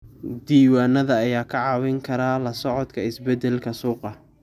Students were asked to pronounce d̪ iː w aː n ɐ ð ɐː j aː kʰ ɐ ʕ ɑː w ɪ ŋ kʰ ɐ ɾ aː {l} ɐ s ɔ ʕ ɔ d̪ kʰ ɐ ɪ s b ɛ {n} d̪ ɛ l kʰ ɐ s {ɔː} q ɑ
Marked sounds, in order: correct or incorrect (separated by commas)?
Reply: correct, incorrect, incorrect